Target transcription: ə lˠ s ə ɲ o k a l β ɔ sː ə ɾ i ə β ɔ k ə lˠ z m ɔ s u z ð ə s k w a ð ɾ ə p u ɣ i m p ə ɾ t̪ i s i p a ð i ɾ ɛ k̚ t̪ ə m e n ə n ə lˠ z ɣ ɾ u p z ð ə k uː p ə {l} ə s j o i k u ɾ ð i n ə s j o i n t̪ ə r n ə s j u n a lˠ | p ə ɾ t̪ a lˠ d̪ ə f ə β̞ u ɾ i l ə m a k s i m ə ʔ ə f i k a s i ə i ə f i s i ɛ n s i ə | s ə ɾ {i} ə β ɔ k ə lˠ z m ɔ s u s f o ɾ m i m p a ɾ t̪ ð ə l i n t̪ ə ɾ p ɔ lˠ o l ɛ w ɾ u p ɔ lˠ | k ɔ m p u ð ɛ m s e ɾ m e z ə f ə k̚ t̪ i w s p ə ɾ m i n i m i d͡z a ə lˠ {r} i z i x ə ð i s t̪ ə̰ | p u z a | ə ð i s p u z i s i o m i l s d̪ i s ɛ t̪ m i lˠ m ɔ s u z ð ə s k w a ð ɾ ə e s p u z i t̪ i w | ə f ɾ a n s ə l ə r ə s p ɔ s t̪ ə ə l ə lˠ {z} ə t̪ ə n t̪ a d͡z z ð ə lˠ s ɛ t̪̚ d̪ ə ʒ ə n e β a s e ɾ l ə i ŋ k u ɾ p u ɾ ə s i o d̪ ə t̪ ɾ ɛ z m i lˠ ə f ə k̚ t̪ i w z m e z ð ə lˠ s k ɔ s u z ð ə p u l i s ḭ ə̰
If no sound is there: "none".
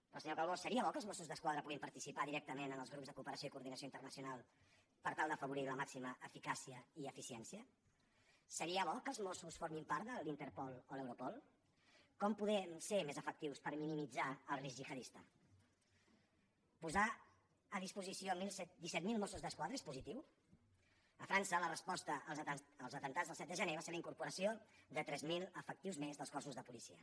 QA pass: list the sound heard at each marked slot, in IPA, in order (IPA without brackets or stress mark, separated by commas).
ɾ, i, r, z